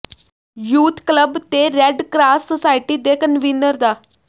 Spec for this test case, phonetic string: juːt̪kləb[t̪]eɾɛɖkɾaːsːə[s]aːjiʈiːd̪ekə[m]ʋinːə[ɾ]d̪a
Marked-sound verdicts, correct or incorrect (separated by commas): correct, correct, incorrect, correct